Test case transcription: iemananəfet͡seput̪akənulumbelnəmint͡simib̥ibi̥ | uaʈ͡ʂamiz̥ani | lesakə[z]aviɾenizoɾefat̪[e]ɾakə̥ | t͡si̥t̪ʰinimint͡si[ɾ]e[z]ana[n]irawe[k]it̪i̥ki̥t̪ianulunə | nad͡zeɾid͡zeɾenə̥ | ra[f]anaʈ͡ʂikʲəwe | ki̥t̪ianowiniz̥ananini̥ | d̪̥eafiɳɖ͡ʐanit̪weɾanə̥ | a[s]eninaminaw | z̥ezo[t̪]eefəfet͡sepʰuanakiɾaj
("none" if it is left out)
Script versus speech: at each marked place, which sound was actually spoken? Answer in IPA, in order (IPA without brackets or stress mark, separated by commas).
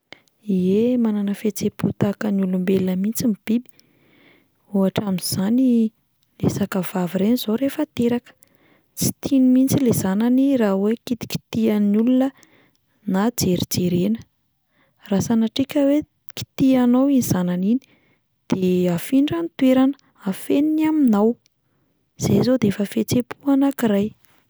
v, e, l, z, n, k, s, f, d̪